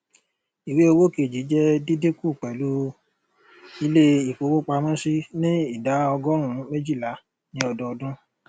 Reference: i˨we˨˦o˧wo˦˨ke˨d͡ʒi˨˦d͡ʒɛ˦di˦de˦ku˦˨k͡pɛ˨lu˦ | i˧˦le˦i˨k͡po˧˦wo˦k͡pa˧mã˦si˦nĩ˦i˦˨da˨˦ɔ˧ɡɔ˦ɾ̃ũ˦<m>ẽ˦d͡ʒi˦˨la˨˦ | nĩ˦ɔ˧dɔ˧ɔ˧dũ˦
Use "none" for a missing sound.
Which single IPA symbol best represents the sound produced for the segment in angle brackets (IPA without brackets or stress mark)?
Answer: m